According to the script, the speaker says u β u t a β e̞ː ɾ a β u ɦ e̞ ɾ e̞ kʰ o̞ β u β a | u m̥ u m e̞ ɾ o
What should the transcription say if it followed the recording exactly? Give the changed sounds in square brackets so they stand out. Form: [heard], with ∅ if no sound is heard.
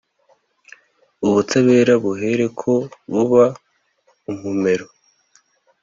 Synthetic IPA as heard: u β u t a β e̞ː ɾ a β u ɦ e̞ ɾ e̞ kʰ o̞ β u β a | u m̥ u m e̞ ɾ o